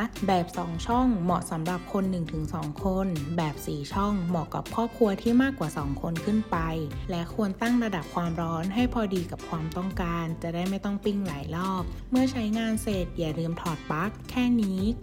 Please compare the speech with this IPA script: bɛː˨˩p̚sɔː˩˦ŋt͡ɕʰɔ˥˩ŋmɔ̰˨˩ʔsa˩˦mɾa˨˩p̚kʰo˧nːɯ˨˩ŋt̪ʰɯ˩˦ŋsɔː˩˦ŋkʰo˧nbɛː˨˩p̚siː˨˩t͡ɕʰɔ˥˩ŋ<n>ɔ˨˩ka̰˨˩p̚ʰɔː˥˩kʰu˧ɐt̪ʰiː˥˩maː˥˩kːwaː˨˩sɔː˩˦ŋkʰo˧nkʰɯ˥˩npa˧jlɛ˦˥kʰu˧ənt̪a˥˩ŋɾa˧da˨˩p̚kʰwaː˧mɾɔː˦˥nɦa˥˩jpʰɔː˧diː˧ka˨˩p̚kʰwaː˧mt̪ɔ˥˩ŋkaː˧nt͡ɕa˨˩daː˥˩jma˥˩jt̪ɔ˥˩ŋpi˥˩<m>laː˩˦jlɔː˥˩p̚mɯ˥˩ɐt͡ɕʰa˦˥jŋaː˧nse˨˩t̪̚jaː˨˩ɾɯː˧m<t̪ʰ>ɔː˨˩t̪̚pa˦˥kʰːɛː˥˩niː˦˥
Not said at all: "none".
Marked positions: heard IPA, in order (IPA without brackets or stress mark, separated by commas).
m, ŋ, t̪ʰ